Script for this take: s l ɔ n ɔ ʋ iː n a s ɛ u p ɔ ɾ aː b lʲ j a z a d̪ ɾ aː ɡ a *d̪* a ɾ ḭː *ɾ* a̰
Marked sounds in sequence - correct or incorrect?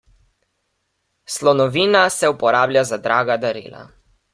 correct, incorrect: l

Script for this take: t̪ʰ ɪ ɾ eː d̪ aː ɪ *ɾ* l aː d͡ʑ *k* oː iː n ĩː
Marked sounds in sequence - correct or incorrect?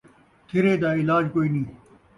incorrect: none, correct

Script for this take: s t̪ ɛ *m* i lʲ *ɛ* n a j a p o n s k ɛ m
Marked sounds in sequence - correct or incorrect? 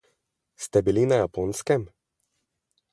incorrect: b, incorrect: i

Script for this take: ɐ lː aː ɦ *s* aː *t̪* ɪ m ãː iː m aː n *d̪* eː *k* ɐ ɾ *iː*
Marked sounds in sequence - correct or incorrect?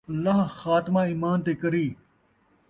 incorrect: x, correct, incorrect: t̪, correct, correct

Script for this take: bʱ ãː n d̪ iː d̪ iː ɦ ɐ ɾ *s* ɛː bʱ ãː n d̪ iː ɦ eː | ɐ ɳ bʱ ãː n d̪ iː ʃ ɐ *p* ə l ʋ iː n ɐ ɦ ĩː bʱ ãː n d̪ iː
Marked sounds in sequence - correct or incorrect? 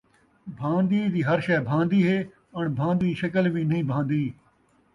incorrect: ʃ, incorrect: k

